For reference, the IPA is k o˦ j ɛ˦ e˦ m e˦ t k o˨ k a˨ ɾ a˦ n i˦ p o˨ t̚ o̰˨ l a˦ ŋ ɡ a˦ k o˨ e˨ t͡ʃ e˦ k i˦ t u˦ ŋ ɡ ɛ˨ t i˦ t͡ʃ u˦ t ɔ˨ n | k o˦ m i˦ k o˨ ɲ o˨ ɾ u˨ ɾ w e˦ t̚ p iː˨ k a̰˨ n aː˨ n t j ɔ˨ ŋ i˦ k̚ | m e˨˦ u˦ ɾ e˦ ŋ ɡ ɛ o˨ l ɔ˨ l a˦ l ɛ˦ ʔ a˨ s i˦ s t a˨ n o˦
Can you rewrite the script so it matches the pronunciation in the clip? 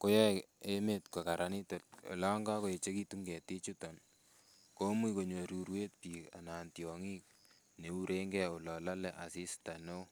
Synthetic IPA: k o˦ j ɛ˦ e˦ m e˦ t k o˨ k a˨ ɾ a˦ n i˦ t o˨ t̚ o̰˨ l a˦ ŋ ɡ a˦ k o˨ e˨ t͡ʃ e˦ k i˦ t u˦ ŋ ɡ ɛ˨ t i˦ t͡ʃ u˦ t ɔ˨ n | k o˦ m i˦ k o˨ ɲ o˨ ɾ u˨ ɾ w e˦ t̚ p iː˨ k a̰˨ n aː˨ n t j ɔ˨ ŋ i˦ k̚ | n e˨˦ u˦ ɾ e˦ ŋ ɡ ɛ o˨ l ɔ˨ l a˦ l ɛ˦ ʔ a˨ s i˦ s t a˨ n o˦